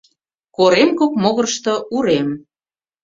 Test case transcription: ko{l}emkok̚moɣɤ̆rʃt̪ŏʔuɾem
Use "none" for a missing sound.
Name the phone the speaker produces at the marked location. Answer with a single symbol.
ɾ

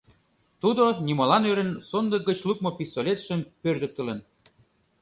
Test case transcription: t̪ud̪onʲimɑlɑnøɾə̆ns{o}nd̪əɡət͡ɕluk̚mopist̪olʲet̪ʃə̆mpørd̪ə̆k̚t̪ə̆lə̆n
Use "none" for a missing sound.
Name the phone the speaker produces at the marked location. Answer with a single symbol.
o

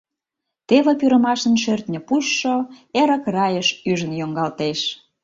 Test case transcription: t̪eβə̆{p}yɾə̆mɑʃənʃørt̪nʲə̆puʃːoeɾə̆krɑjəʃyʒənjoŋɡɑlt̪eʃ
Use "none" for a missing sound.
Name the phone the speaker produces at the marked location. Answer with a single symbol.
p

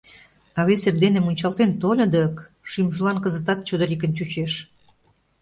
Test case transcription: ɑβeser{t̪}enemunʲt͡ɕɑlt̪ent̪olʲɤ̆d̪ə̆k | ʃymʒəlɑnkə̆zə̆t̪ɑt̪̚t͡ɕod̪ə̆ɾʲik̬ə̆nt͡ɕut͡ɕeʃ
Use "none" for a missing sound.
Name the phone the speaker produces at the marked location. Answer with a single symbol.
d̪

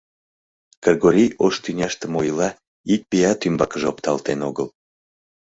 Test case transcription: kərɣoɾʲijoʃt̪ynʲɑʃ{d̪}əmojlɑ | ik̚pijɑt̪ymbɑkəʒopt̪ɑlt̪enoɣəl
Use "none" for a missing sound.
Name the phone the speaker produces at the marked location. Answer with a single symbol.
t̪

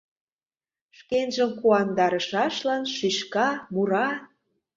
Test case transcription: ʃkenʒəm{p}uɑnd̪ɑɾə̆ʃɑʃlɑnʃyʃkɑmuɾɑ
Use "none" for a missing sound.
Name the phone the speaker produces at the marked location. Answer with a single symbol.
k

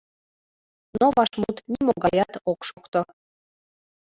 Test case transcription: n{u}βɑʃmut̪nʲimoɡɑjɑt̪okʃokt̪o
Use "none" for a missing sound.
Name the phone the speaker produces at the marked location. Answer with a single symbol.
o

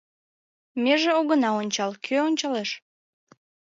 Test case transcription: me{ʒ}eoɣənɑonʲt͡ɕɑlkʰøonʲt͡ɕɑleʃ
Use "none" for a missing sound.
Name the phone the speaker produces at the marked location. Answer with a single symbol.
ʒ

